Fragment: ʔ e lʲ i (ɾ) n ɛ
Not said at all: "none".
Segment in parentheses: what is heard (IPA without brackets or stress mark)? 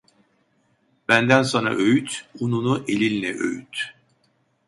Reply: l